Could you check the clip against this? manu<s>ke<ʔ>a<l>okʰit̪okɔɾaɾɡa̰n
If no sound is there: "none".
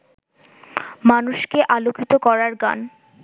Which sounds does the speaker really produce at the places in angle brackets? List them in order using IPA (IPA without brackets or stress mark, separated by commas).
ʃ, ʔ, l